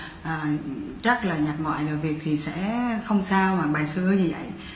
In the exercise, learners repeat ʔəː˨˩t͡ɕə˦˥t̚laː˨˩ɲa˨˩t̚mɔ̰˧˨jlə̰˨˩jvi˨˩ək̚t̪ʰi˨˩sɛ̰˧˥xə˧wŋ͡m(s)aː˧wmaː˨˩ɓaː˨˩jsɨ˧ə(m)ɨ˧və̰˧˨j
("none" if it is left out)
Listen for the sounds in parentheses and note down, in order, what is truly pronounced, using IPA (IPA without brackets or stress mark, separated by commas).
s, ɲ